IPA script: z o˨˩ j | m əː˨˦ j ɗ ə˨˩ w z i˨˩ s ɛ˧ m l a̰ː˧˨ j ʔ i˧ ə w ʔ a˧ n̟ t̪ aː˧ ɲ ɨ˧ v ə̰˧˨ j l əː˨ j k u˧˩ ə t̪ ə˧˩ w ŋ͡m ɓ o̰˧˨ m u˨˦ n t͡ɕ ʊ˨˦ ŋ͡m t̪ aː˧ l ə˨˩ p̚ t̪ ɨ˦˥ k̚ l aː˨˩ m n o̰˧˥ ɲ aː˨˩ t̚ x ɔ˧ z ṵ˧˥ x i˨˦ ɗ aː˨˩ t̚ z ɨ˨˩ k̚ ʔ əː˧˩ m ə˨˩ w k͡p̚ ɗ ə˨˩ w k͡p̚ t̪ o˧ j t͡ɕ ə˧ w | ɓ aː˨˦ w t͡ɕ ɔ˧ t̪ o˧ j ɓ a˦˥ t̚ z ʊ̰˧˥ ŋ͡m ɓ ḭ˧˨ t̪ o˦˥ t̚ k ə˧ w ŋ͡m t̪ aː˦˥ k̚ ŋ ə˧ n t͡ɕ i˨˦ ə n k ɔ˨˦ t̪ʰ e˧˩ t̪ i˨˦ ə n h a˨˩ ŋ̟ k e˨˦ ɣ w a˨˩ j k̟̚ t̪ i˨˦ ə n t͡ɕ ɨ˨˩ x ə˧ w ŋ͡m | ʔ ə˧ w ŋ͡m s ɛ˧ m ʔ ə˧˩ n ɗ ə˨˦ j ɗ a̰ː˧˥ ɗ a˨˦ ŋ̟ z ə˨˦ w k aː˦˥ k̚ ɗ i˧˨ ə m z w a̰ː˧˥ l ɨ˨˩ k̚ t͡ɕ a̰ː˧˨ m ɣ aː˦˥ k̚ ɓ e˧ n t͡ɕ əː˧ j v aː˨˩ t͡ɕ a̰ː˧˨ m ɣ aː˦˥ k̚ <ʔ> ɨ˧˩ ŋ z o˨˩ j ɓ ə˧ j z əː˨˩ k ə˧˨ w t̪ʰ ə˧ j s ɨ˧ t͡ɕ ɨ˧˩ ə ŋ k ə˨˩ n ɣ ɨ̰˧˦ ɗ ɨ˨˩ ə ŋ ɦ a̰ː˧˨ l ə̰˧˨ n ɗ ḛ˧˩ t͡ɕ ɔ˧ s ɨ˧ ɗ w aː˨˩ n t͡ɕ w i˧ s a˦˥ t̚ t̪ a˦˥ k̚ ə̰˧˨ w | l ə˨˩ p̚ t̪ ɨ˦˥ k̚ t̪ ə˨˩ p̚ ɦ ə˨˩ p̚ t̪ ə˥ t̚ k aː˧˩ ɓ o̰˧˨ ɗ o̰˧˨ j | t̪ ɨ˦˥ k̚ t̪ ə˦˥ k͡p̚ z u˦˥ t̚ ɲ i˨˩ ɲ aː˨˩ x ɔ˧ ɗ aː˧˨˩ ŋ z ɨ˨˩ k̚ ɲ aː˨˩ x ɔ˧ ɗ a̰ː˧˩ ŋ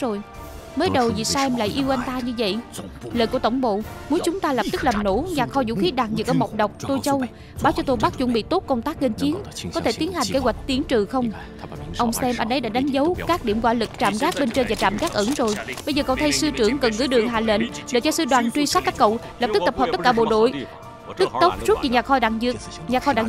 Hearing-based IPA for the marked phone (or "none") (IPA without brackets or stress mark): ʔ